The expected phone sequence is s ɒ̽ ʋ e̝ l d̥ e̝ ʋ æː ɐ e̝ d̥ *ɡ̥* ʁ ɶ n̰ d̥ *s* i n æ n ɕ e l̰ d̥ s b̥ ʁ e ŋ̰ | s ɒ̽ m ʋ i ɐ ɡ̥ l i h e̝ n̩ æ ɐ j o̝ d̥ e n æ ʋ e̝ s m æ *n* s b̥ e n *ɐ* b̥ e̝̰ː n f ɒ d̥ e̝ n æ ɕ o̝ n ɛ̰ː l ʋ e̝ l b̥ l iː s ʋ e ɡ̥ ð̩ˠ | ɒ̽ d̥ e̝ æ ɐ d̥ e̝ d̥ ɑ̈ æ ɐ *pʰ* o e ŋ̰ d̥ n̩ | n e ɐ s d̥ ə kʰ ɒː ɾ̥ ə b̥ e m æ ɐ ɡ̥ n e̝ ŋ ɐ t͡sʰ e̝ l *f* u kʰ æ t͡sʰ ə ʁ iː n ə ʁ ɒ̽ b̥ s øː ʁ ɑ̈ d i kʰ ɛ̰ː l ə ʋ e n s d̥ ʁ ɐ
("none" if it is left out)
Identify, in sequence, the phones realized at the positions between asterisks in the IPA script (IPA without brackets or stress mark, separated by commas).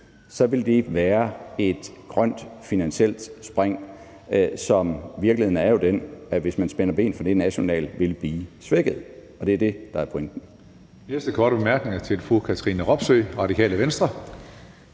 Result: ɡ̥, f, n, ɐ, pʰ, f